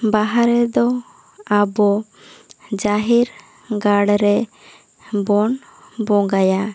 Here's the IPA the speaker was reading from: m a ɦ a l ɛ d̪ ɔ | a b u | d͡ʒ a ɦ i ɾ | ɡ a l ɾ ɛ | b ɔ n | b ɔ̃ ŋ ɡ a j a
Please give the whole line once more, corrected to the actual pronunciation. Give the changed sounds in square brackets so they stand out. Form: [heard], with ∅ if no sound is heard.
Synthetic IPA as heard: [b] a ɦ a [ɾ] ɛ d̪ ɔ | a b [ɔ] | d͡ʒ a ɦ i ɾ | ɡ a [ɽ] ɾ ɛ | b ɔ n | b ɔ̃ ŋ ɡ a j a